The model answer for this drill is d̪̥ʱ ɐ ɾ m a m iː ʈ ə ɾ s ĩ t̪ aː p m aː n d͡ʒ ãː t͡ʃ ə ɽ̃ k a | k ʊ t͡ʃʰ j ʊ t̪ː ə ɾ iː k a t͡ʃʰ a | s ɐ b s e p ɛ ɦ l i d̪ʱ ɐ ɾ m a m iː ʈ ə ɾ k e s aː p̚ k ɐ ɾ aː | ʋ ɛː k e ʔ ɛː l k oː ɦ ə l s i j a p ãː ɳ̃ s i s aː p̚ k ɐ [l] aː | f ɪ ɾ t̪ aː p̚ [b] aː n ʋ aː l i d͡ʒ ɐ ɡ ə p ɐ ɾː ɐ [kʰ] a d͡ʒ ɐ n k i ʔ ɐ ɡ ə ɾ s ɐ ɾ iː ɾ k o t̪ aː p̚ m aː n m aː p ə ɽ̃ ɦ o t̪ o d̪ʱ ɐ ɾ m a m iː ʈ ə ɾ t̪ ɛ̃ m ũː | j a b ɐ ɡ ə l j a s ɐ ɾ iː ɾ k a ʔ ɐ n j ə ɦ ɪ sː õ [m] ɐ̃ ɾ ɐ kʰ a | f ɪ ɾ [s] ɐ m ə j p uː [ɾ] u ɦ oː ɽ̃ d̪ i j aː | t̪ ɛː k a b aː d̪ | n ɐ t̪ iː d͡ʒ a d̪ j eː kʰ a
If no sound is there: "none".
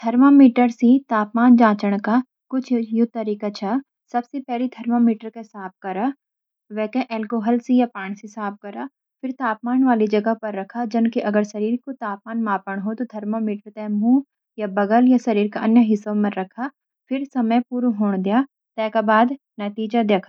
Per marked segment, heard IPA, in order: ɾ, m, kʰ, m, s, ɾ

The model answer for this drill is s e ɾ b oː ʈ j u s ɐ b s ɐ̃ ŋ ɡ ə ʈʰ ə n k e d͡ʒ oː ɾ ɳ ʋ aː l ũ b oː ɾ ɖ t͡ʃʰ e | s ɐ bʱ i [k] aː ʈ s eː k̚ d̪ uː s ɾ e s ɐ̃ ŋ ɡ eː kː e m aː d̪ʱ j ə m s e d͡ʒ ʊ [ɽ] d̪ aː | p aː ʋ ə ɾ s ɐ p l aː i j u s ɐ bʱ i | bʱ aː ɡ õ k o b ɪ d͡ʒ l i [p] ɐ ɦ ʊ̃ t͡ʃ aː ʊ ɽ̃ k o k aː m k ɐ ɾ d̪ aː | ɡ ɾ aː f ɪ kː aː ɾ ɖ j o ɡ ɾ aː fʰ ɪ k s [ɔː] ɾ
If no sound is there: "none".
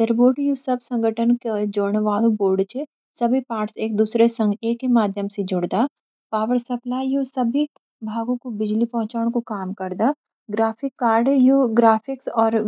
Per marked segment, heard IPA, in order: p, ɽ, p, ɔː

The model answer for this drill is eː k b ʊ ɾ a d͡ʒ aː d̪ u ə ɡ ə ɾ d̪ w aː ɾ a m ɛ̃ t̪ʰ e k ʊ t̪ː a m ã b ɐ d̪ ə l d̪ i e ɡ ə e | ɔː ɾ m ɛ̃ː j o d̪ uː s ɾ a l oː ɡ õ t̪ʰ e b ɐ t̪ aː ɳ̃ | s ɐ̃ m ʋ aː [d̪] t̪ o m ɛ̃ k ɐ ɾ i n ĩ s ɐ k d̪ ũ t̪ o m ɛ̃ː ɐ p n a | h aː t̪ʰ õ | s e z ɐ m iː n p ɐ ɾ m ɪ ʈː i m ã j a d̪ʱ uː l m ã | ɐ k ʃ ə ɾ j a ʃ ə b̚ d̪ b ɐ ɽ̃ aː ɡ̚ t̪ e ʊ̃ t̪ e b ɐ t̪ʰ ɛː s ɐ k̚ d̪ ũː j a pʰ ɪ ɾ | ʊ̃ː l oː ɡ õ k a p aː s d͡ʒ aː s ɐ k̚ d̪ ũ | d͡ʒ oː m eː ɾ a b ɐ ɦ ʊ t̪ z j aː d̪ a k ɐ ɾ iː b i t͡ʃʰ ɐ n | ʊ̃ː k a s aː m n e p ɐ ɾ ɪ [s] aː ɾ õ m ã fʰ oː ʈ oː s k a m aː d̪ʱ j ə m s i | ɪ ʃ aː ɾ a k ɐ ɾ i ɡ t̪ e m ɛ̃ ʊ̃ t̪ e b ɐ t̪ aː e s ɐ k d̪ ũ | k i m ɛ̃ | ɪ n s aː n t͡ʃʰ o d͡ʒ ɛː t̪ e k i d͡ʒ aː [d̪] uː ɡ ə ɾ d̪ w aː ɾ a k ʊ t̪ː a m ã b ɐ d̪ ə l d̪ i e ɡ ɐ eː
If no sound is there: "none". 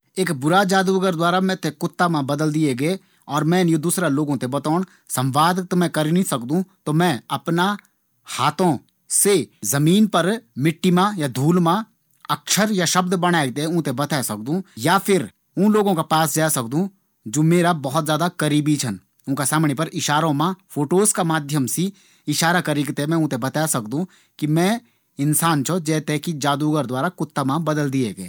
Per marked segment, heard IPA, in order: d̪, ʃ, d̪

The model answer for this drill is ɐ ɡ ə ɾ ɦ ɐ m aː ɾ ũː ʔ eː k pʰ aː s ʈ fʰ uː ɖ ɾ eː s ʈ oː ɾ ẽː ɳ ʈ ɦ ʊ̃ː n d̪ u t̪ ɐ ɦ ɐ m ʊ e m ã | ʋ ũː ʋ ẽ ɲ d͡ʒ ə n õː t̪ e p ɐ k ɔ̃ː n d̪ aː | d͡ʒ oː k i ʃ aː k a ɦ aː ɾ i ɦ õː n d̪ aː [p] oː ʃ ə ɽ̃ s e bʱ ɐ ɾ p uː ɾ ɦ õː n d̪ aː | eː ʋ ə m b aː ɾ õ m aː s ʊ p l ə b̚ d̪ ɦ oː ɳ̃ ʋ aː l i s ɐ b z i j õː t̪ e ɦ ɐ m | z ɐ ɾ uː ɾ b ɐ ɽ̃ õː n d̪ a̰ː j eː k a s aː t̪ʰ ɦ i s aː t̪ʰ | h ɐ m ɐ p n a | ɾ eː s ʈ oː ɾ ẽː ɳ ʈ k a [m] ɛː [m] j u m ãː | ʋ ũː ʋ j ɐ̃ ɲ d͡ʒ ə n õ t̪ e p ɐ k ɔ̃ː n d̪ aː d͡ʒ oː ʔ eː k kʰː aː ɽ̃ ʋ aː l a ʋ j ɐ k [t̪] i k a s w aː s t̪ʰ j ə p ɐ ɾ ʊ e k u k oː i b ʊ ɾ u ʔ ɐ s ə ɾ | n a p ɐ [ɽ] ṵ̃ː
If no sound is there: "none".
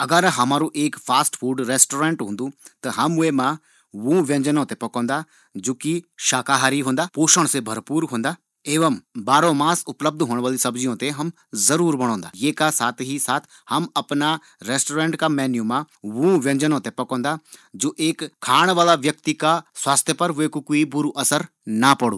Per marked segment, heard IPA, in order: p, m, n, t̪, ɽ

